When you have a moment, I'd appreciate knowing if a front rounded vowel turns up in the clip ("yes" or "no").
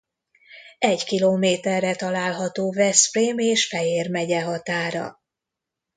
no